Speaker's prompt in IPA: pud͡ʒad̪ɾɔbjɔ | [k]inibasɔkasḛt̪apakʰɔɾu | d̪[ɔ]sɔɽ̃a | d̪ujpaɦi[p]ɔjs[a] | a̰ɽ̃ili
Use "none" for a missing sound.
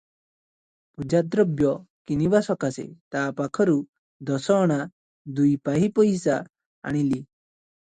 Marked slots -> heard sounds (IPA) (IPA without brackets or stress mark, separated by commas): k, ɔ, p, a